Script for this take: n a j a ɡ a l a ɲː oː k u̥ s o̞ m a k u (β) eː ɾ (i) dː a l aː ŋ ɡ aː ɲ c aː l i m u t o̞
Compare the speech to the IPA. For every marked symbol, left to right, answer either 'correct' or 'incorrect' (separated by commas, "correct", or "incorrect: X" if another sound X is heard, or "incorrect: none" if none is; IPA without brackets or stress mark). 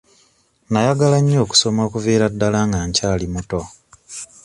incorrect: v, incorrect: a